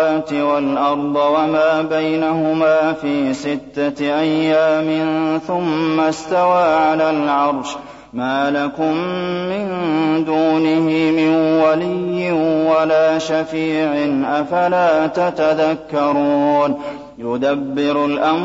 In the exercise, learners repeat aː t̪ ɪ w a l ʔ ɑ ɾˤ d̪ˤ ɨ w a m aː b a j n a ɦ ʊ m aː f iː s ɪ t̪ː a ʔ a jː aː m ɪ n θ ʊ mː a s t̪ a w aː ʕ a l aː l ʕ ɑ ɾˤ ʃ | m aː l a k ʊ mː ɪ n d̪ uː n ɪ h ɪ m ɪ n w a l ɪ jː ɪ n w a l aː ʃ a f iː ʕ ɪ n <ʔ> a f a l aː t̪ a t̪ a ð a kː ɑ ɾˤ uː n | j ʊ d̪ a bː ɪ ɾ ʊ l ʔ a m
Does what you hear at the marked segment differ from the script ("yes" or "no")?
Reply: no